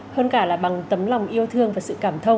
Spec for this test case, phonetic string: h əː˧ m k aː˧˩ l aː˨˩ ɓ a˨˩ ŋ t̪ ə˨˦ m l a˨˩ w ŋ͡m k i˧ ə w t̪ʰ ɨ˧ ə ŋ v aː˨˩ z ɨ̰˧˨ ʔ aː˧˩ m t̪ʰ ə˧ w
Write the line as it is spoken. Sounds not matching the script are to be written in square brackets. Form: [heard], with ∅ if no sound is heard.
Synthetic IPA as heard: h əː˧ [n] k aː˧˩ l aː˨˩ ɓ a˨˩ ŋ t̪ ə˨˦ m l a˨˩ w ŋ͡m [ʔ] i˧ ə w t̪ʰ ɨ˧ ə ŋ v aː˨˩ [s] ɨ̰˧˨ [k] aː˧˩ m t̪ʰ ə˧ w